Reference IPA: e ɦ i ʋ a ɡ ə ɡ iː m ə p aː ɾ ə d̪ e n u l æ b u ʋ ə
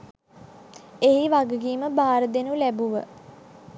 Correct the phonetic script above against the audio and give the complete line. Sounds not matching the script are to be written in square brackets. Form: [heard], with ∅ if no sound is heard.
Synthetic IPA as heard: e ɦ i ʋ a ɡ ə ɡ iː m ə [b] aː ɾ ə d̪ e n u l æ b u ʋ ə